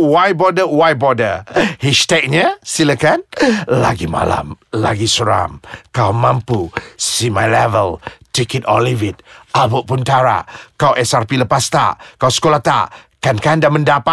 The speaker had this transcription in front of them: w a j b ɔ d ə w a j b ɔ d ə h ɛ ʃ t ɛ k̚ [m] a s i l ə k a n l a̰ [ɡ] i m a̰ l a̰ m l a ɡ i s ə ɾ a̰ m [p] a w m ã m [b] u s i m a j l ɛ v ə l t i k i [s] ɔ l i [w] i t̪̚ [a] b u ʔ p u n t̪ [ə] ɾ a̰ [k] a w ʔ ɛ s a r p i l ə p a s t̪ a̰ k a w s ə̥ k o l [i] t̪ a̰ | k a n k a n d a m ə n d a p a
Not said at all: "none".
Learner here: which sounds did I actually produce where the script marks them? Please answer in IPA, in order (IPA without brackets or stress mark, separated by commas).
ɲ, ɡ, k, p, t, v, a, a, k, a